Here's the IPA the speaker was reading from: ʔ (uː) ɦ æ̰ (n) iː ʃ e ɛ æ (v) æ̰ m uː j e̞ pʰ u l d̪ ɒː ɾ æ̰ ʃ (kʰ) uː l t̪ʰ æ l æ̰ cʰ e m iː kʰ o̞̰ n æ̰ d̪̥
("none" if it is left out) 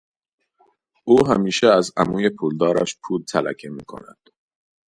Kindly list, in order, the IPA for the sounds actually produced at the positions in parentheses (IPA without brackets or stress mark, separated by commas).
uː, m, z, pʰ